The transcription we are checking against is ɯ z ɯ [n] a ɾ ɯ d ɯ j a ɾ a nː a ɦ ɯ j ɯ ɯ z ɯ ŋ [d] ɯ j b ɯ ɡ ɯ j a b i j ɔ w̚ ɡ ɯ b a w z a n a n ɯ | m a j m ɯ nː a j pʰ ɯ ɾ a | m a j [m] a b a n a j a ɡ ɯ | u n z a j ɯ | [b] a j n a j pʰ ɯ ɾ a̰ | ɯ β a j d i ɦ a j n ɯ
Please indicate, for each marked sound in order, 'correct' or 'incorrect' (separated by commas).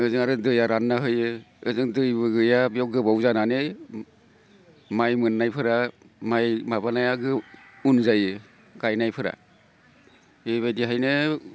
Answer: incorrect, correct, correct, incorrect